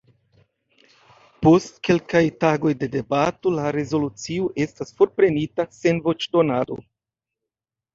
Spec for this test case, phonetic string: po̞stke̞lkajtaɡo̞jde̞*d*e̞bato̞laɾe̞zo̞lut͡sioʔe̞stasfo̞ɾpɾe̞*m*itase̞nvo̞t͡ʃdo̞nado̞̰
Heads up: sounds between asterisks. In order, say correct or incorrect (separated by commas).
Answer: correct, incorrect